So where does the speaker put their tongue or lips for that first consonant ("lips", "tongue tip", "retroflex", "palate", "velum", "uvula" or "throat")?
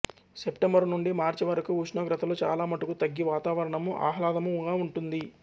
tongue tip